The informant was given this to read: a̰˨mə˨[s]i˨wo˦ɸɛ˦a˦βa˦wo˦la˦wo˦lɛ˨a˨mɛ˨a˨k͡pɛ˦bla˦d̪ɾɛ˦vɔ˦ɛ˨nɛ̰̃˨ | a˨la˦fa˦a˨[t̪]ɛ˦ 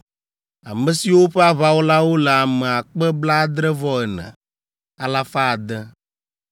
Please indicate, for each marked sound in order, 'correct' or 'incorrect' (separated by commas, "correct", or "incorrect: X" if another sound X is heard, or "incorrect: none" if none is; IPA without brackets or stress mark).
correct, incorrect: d̪